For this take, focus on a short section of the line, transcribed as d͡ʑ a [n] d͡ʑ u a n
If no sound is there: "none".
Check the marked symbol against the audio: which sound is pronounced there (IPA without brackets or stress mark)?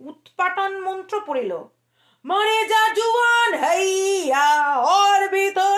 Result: none